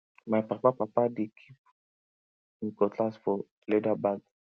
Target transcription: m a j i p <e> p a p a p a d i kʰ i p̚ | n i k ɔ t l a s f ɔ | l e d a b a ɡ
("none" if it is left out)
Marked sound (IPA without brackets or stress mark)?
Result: a